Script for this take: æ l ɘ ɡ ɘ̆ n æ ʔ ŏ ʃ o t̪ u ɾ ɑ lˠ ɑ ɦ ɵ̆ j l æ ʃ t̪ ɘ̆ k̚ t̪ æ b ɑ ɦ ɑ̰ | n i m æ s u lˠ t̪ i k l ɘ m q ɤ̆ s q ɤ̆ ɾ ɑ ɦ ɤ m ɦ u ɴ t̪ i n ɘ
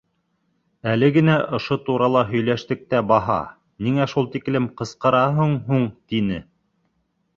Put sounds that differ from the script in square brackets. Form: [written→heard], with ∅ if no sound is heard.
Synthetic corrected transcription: æ l ɘ ɡ ɘ̆ n æ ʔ ŏ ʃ o t̪ u ɾ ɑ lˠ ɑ ɦ ɵ̆ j l æ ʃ t̪ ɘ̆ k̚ t̪ æ b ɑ ɦ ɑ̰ | n i [m→ŋ] æ [s→ʃ] u lˠ t̪ i k l ɘ m q ɤ̆ s q ɤ̆ ɾ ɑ ɦ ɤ [m→ɴ] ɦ u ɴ t̪ i n ɘ